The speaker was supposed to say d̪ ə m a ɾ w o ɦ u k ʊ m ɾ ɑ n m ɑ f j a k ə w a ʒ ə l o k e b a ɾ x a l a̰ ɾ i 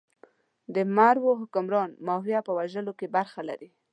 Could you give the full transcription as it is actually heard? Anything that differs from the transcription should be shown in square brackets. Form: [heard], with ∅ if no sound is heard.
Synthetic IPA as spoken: d̪ ə m a ɾ w o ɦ [ʊ] k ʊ m ɾ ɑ n m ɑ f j a [p] ə w a ʒ ə l o k e b a ɾ x a l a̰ ɾ i

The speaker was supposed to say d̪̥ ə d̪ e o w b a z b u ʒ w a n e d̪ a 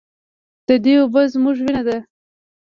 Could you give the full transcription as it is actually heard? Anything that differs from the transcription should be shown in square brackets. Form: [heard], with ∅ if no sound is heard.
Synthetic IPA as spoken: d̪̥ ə d̪ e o [∅] b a z [m] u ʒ w [i] n [a] d̪ a

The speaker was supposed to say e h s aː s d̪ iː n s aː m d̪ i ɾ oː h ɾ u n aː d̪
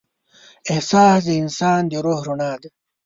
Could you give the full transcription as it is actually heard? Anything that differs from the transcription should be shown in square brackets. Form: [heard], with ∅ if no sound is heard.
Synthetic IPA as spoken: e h s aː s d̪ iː n s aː [n] d̪ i ɾ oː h ɾ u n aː d̪

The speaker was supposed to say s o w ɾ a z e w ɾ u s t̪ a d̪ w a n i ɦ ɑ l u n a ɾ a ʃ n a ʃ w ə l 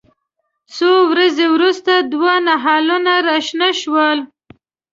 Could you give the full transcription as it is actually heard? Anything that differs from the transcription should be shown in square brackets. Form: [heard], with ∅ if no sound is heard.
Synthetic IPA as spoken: s o w ɾ a z e w ɾ u s t̪ a d̪ w a n [a] ɦ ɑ l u n a ɾ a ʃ n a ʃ w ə l

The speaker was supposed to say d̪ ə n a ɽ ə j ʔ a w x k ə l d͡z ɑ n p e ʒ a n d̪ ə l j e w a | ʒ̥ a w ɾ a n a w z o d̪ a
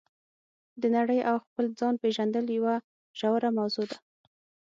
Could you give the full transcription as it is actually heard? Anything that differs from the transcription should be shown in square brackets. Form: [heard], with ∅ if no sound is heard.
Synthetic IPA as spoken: d̪ ə n a ɽ ə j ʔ a w x [p] ə l d͡z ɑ n p e ʒ a n d̪ ə l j [a] w a | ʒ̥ a w ɾ a [m] a w z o d̪ a

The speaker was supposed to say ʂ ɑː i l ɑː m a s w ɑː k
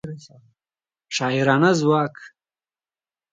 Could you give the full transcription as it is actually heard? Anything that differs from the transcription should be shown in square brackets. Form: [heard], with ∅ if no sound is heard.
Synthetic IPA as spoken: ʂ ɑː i [ɾ] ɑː [n] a [z] w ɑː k

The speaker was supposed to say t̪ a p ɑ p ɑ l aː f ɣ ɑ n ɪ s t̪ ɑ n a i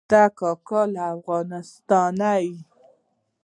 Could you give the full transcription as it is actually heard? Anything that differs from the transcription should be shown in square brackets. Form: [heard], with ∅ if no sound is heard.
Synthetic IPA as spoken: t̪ a [k] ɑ [k] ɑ l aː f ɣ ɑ n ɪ s t̪ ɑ n a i

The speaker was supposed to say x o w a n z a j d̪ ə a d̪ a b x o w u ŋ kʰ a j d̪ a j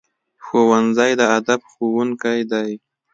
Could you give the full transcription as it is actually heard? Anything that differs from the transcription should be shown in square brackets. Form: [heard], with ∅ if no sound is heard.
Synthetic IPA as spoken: x o w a n z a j d̪ ə a d̪ a b x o w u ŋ [k] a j d̪ a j

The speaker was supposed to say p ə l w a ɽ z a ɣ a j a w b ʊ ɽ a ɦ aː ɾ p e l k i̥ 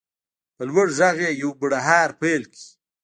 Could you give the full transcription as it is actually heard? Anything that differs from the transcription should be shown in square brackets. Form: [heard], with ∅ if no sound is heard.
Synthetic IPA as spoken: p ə l w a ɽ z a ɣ [e] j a w b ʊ ɽ a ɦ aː ɾ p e l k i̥

